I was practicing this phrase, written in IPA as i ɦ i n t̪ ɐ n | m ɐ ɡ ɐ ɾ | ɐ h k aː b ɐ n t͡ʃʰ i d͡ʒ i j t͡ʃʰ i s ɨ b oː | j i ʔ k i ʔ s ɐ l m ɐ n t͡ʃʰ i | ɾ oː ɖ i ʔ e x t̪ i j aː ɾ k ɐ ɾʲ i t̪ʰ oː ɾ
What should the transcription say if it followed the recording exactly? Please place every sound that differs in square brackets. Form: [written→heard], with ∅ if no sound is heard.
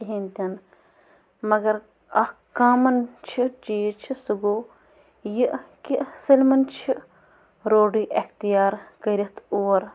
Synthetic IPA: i ɦ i n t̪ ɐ n | m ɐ ɡ ɐ ɾ | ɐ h k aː [b→m] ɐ n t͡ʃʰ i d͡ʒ i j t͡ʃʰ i s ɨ [b→ɡ] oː | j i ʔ k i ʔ s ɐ l m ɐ n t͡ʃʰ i | ɾ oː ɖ i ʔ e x t̪ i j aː ɾ k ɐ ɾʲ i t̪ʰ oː ɾ